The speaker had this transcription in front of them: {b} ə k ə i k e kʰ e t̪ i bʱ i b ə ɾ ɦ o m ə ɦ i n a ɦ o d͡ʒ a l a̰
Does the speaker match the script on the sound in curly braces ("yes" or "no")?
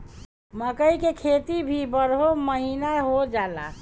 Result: no